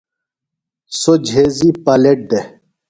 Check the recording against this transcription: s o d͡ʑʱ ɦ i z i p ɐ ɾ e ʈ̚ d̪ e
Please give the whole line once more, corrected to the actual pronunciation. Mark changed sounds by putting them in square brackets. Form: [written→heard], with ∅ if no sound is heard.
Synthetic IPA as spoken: s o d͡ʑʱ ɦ [i→e] z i p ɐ [ɾ→l] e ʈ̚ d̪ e